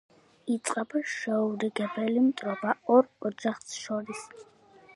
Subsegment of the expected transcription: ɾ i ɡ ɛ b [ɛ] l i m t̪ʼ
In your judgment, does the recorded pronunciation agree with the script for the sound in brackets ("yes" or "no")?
yes